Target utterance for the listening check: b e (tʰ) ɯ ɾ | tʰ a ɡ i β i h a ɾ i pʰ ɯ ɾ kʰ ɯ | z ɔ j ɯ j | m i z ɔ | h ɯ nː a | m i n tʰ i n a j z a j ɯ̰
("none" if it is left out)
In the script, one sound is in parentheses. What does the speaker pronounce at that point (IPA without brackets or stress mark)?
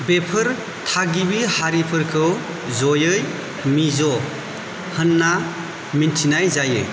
pʰ